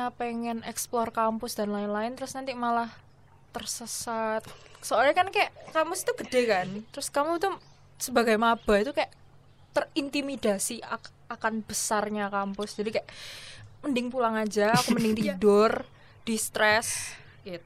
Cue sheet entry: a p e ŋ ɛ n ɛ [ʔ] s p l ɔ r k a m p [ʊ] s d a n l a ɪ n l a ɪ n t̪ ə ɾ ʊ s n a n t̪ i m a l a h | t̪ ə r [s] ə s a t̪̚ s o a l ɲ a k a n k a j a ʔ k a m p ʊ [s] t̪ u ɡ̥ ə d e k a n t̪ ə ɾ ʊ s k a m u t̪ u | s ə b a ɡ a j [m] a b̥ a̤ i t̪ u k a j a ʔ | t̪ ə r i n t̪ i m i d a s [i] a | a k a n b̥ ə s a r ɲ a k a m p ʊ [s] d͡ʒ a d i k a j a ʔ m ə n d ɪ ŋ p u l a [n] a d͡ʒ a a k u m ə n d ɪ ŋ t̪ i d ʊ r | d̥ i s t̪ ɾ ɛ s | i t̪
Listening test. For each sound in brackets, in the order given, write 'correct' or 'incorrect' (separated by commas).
incorrect, correct, correct, correct, correct, correct, correct, incorrect